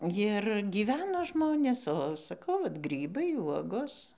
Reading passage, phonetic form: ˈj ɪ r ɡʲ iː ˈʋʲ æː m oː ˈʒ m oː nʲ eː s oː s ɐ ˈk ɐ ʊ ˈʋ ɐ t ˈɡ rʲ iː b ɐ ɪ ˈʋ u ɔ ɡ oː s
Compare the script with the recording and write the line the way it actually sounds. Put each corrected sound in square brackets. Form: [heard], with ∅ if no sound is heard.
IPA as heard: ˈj ɪ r ɡʲ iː ˈʋʲ æː [n] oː ˈʒ m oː nʲ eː s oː s ɐ ˈk ɐ ʊ ˈʋ ɐ t ˈɡ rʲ iː b ɐ ɪ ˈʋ u ɔ ɡ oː s